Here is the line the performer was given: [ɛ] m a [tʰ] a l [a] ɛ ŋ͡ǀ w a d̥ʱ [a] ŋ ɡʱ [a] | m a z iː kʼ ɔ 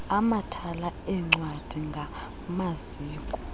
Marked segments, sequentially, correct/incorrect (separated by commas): incorrect, correct, correct, incorrect, correct